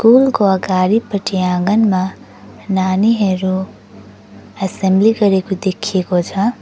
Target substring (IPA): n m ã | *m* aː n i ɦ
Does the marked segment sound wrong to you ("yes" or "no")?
yes